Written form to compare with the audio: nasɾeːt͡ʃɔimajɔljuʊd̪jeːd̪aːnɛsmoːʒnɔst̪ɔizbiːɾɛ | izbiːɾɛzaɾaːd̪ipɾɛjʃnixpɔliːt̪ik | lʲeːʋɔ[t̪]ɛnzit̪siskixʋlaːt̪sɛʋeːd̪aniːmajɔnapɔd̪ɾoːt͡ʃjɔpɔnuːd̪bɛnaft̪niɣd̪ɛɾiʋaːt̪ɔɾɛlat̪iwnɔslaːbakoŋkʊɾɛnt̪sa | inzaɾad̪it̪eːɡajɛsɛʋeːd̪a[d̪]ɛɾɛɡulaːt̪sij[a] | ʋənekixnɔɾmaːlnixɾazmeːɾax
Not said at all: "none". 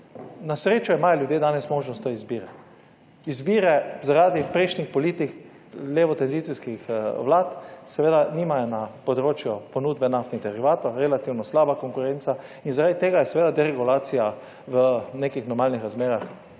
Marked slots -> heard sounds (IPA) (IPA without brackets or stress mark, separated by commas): t̪, d̪, a